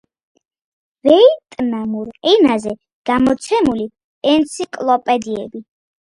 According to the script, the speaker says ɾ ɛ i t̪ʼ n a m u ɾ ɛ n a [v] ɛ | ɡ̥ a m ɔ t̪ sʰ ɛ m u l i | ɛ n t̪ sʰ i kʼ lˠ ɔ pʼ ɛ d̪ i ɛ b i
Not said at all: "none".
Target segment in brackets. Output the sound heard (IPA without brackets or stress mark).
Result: z